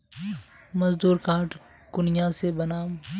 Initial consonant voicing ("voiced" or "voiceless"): voiced